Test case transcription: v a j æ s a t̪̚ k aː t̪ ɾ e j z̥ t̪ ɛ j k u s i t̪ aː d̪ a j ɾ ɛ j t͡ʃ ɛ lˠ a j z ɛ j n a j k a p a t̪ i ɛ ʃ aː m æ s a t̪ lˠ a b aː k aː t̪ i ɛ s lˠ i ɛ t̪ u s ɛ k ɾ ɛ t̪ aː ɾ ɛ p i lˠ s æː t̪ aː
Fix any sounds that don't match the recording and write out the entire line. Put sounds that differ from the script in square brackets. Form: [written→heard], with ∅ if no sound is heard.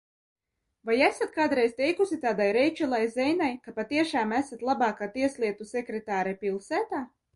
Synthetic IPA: v a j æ s a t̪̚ k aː [t̪→d̪] ɾ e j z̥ t̪ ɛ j k u s i t̪ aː d̪ a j ɾ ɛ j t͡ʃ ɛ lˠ a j z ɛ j n a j k a p a t̪ i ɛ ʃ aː m æ s a t̪ lˠ a b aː k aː t̪ i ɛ s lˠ i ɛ t̪ u s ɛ k ɾ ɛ t̪ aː ɾ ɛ p i lˠ s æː t̪ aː

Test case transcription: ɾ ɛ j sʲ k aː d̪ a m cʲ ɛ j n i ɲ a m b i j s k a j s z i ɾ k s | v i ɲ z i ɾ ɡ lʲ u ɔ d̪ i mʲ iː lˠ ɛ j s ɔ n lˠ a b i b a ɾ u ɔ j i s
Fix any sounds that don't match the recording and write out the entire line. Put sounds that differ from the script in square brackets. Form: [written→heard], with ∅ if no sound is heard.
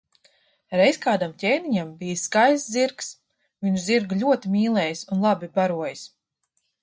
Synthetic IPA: ɾ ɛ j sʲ k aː d̪ a m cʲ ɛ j n i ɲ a m b i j s k a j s z i ɾ k s | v i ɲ z i ɾ ɡ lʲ u ɔ [d̪→t̪] i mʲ iː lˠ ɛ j s [ɔ→u] n lˠ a b i b a ɾ u ɔ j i s

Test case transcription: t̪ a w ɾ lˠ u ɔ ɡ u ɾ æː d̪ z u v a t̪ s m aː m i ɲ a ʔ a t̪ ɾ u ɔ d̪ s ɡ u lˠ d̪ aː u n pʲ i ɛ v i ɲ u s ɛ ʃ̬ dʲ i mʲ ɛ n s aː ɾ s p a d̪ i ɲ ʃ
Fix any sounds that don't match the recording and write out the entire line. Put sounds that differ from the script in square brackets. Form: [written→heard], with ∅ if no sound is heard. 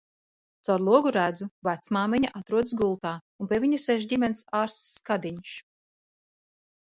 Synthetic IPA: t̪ a w ɾ lˠ u ɔ ɡ u ɾ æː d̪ z u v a t̪ s m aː m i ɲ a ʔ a t̪ ɾ u ɔ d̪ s ɡ u lˠ [d̪→t̪] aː u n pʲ i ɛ v i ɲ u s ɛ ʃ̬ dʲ i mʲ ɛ n s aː ɾ s [p→k] a d̪ i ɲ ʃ

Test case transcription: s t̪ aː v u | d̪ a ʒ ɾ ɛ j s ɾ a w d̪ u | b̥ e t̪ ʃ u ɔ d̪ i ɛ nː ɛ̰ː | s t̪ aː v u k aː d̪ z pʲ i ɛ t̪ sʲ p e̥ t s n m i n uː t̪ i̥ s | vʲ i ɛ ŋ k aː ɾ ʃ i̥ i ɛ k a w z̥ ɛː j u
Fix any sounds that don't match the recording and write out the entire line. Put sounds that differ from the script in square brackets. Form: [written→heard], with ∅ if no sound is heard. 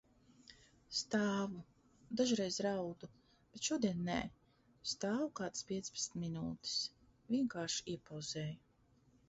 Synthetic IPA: s t̪ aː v u | d̪ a ʒ ɾ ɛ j [s→z] ɾ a w d̪ u | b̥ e t̪ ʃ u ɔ d̪ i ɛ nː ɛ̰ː | s t̪ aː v u k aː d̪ [z→s] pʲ i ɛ t̪ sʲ p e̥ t s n m i n uː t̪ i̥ s | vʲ i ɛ ŋ k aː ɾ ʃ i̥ i ɛ [k→p] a w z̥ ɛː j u

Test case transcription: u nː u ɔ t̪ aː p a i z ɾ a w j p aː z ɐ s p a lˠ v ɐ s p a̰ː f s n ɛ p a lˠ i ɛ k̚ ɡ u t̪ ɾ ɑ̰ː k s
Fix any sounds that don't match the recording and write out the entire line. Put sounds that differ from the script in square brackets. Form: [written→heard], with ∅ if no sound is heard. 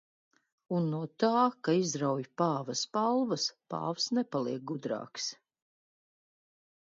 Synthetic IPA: u nː u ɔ t̪ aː [p→k] a i z ɾ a w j p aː [z→v] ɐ s p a lˠ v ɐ s p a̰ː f s n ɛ p a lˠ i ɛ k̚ ɡ u [t̪→d̪] ɾ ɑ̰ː k s

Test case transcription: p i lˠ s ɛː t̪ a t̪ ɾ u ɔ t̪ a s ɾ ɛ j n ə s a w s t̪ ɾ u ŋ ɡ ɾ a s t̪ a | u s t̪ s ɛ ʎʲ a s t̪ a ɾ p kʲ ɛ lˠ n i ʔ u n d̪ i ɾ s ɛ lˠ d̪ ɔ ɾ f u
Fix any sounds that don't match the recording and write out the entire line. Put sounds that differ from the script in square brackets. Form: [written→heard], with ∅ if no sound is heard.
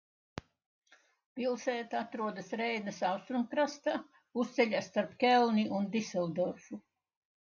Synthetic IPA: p i lˠ s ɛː t̪ a t̪ ɾ u ɔ [t̪→d̪] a s ɾ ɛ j n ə s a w s t̪ ɾ u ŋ [ɡ→k] ɾ a s t̪ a | u s t̪ s ɛ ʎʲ a s t̪ a ɾ p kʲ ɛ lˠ n i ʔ u n d̪ i [ɾ→∅] s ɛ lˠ d̪ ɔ ɾ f u

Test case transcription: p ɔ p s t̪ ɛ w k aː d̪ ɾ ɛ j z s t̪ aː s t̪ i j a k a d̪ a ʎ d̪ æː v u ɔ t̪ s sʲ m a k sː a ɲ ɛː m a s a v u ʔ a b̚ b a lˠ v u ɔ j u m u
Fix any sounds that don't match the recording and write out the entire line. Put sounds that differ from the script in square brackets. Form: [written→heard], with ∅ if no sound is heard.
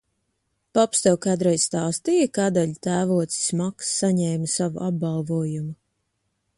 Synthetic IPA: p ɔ p s t̪ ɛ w k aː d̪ ɾ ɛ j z s t̪ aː s t̪ i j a k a d̪ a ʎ [d̪→t̪] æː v u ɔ t̪ s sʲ m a k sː a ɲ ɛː m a s a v u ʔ a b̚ b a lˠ v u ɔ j u m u

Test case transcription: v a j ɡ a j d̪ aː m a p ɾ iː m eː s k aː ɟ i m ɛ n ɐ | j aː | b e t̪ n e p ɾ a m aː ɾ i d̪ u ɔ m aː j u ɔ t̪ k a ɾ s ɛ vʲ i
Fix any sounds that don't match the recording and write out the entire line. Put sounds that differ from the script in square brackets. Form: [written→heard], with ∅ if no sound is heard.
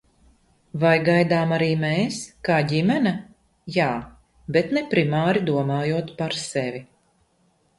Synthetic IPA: v a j ɡ a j d̪ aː m a [p→∅] ɾ iː m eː s k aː ɟ i m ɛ n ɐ | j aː | b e t̪ n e p ɾ [a→i] m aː ɾ i d̪ u ɔ m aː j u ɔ t̪ [k→p] a ɾ s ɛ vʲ i

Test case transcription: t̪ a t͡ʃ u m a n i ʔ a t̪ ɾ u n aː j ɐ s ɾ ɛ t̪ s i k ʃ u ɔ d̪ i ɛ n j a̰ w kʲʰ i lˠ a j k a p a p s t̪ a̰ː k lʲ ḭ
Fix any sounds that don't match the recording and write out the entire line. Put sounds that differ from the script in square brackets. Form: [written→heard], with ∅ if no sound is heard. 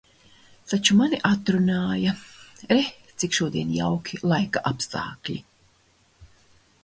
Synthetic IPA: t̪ a t͡ʃ u m a n i ʔ a t̪ ɾ u n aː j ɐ [s→∅] ɾ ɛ t̪ s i k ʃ u ɔ d̪ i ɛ n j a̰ w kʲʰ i lˠ a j k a [p→ʔ] a p s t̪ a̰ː k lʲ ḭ

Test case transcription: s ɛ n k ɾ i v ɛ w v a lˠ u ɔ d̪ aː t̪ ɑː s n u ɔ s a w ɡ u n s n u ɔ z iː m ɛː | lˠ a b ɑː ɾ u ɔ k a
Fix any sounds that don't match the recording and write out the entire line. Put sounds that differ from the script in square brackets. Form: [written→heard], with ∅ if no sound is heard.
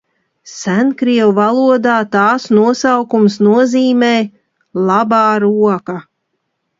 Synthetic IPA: s [ɛ→æ] n k ɾ i [v→∅] ɛ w v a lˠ u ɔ d̪ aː t̪ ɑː s n u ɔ s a w [ɡ→k] u [n→m] s n u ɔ z iː m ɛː | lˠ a b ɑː ɾ u ɔ k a

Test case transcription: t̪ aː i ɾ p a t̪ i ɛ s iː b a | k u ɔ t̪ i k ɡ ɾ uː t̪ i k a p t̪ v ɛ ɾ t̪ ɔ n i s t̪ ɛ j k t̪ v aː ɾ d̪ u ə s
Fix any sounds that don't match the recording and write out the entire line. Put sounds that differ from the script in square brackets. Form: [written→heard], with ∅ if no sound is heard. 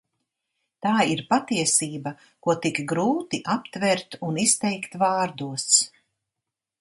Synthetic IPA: t̪ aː i ɾ p a t̪ i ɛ s iː b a | k u ɔ t̪ i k ɡ ɾ uː t̪ i [k→ʔ] a p t̪ v ɛ ɾ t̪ [ɔ→u] n i s t̪ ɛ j k t̪ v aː ɾ d̪ u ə s

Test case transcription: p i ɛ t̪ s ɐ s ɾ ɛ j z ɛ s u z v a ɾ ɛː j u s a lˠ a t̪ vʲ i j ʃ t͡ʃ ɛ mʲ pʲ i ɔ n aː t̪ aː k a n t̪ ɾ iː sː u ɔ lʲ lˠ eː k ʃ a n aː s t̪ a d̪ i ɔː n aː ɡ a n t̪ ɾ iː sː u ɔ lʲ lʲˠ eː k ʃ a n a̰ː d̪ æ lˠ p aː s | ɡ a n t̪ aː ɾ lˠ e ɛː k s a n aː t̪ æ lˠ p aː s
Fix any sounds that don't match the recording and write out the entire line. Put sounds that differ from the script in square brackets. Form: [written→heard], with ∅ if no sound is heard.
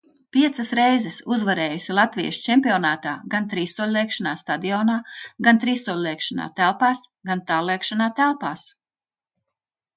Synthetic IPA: p i ɛ t̪ s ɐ s ɾ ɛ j z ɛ s u z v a ɾ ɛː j u s [a→i] lˠ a t̪ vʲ i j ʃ t͡ʃ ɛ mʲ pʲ i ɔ n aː t̪ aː [k→ɡ] a n t̪ ɾ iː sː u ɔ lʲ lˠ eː k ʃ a n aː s t̪ a d̪ i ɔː n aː ɡ a n t̪ ɾ iː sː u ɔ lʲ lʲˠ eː k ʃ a n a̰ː [d̪→t̪] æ lˠ p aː s | ɡ a n t̪ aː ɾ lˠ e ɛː k [s→ʃ] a n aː t̪ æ lˠ p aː s

